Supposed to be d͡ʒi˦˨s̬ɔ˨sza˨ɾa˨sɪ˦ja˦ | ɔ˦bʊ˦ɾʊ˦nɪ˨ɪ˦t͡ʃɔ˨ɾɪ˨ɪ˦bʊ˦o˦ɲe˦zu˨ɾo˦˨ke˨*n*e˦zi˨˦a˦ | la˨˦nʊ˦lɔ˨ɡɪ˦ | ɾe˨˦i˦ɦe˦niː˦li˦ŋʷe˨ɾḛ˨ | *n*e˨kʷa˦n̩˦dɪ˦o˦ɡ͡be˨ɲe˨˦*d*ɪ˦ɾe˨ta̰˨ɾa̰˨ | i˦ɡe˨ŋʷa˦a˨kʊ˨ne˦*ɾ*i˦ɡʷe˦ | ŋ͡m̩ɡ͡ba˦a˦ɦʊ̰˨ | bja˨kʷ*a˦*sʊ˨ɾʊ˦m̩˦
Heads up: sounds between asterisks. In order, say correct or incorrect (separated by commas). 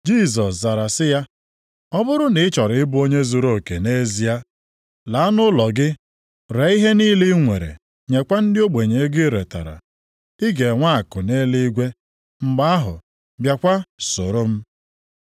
correct, incorrect, incorrect, incorrect, correct